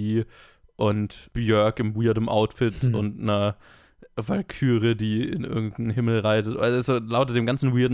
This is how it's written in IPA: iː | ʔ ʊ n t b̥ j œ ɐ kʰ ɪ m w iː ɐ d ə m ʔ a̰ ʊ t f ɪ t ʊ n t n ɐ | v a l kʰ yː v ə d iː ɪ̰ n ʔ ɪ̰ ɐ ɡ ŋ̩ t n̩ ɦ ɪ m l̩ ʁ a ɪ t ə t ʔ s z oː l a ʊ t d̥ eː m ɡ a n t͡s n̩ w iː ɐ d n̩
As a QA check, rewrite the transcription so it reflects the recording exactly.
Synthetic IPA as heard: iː | ʔ ʊ n t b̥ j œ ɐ k ɪ m w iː ɐ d ə m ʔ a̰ ʊ t f ɪ t ʊ n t n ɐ | v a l kʰ yː ʁ ə d iː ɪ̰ n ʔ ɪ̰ ɐ ɡ ŋ̩ t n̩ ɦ ɪ m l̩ ʁ a ɪ t ə t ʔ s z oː l a ʊ t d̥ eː m ɡ a n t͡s n̩ w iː ɐ d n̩